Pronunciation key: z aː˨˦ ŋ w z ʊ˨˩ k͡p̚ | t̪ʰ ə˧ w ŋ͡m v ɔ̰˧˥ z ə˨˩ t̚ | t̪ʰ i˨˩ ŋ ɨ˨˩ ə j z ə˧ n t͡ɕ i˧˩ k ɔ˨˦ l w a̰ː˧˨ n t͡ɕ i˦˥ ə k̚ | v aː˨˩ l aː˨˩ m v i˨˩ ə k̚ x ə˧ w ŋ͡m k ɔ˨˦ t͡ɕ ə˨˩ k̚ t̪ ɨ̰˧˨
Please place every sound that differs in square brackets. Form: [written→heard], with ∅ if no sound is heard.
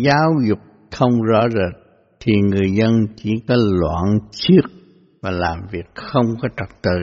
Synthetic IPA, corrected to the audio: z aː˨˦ [ŋ→∅] w z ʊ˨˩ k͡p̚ | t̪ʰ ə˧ w ŋ͡m [v→z] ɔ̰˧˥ z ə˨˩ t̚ | t̪ʰ i˨˩ ŋ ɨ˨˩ ə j z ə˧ n t͡ɕ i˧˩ k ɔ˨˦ l w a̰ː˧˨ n t͡ɕ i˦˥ ə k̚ | v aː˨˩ l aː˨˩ m v i˨˩ ə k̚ x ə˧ w ŋ͡m k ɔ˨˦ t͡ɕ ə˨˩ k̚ t̪ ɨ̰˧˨